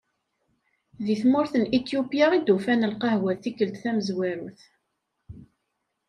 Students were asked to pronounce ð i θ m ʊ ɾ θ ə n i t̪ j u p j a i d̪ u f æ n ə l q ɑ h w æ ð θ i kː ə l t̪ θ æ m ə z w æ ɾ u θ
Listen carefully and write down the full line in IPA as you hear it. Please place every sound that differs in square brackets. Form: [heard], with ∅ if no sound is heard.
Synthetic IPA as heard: ð i θ m ʊ ɾ θ ə n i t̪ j u p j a i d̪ u f æ n ə l q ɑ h w æ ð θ i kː ə l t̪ θ æ m ə z w æ ɾ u θ